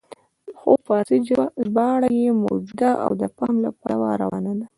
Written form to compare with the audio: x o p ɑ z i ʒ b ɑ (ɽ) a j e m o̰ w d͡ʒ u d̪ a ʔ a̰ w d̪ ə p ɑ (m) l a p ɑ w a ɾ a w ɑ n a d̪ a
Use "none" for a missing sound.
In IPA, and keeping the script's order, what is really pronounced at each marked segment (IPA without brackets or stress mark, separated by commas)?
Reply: ɽ, m